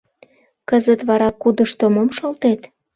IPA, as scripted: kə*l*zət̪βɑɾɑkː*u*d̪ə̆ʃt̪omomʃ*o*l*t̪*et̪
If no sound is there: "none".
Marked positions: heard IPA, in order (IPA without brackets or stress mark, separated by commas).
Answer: none, u, o, t̪